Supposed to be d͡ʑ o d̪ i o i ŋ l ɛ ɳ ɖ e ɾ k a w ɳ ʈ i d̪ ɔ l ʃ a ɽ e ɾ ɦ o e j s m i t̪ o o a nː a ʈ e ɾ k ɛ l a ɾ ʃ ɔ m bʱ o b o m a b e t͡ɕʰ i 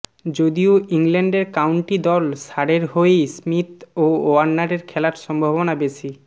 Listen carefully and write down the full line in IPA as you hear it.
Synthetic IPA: d͡ʑ o d̪ i o i ŋ l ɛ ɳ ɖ e ɾ k a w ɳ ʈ i d̪ ɔ l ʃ a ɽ e ɾ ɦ o e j s m i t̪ o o a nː a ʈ e ɾ kʰ ɛ l a ɾ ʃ ɔ m bʱ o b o n a b e t͡ɕʰ i

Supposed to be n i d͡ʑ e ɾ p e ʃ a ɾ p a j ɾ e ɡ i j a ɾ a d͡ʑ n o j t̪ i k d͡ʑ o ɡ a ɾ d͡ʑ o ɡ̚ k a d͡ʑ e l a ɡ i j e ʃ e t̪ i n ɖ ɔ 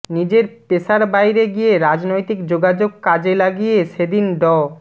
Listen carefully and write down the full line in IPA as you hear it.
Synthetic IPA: n i d͡ʑ e ɾ p e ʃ a ɾ b a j ɾ e ɡ i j e ɾ a d͡ʑ n o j t̪ i k d͡ʑ o ɡ a d͡ʑ o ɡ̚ k a d͡ʑ e l a ɡ i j e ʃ e d̪ i n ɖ ɔ

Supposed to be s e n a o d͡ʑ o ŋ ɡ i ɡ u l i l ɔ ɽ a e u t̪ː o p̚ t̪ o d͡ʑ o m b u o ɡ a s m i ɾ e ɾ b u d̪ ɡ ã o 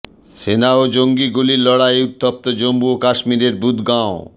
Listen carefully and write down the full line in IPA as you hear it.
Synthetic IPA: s e n a o d͡ʑ o ŋ ɡ i ɡ u l i l ɔ ɽ a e u t̪ː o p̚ t̪ o d͡ʑ o m b u o k a ʃ m i ɾ e ɾ b u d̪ ɡ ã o

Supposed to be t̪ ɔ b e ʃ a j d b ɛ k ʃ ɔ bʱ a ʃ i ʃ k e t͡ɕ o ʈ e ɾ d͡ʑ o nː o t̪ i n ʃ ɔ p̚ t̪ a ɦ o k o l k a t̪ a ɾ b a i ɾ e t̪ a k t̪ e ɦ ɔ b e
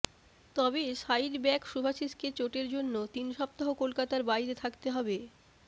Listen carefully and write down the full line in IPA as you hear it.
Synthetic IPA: t̪ ɔ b e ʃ a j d b ɛ k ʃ u bʱ a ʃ i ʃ k e t͡ɕ o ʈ e ɾ d͡ʑ o nː o t̪ i n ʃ ɔ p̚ t̪ a ɦ o k o l k a t̪ a ɾ b a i ɾ e t̪ʰ a k t̪ e ɦ ɔ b e

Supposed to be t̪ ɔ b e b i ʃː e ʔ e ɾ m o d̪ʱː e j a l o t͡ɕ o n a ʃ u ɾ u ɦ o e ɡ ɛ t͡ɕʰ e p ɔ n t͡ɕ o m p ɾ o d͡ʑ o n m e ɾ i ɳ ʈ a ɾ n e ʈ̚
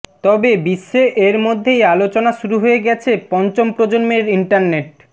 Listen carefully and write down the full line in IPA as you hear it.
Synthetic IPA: t̪ ɔ b e b i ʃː e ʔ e ɾ m o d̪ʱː e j a l o t͡ɕ o n a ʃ u ɾ u ɦ o e ɡ ɛ t͡ɕʰ e p ɔ n t͡ɕ o m p ɾ o d͡ʑ o n m e ɾ i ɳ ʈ a ɾ n e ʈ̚

